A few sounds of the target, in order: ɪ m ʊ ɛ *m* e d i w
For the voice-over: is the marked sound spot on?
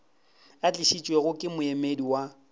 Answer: yes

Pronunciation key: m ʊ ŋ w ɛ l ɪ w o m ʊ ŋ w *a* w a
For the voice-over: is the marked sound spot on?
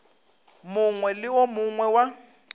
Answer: no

